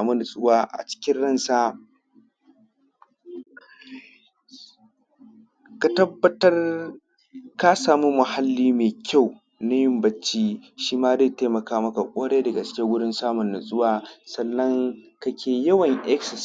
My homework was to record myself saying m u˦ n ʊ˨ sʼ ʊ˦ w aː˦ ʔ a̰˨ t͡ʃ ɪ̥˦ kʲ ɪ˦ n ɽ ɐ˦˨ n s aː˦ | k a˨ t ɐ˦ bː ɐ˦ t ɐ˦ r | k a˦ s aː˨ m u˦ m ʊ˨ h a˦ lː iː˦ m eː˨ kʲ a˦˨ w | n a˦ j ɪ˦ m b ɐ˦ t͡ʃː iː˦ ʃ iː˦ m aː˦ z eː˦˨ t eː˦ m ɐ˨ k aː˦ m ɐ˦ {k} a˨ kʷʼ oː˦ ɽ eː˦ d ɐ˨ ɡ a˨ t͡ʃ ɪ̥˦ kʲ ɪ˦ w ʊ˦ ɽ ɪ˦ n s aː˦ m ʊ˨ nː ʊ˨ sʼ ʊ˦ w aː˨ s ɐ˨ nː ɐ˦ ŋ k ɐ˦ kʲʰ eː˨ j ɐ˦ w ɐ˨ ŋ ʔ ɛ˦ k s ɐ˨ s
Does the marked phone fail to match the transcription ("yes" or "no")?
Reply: no